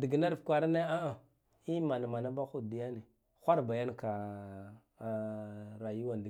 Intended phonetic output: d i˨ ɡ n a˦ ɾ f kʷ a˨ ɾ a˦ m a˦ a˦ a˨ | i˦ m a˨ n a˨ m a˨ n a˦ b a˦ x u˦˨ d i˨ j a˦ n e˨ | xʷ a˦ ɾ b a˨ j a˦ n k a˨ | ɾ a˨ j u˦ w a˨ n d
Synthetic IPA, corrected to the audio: d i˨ ɡ n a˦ ɾ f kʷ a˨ ɾ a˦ n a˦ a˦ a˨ | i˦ m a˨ n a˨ m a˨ n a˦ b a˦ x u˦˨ d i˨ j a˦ n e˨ | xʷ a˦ ɾ b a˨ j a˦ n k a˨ | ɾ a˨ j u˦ w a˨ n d